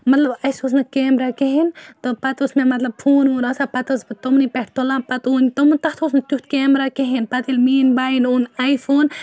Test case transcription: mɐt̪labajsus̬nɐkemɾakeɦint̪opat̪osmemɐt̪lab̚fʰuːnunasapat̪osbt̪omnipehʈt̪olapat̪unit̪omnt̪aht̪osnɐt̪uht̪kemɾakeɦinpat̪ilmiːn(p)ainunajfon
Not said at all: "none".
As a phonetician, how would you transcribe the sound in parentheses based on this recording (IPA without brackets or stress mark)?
b